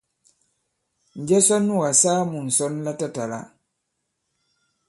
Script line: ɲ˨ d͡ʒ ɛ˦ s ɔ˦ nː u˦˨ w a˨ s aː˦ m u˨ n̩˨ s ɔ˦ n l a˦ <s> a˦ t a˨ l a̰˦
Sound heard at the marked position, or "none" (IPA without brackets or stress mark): t